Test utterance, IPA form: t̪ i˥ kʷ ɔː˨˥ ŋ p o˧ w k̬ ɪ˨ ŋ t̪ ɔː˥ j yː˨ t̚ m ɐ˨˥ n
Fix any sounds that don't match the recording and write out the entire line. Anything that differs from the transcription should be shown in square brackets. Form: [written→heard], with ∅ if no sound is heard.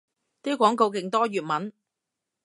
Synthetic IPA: t̪ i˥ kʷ ɔː˨˥ ŋ [p→k] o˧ w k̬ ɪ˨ ŋ t̪ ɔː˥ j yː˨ t̚ m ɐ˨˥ n